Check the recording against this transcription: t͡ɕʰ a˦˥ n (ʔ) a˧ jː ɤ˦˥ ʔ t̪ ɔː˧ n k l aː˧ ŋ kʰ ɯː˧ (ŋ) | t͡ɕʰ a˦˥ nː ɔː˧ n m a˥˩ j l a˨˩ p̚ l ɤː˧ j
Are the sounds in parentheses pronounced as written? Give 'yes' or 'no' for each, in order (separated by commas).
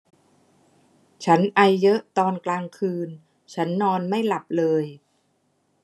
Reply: yes, no